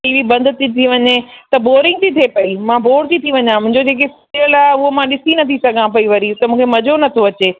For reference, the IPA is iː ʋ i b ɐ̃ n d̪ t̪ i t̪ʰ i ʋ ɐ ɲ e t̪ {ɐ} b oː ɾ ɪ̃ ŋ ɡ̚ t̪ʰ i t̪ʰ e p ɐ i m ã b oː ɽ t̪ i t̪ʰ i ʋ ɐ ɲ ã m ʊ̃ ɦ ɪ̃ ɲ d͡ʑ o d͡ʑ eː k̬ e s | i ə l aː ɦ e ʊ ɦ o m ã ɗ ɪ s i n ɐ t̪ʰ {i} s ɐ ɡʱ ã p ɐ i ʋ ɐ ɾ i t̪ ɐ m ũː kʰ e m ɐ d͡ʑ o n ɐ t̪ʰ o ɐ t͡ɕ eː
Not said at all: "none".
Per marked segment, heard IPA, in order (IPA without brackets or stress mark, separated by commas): ɐ, i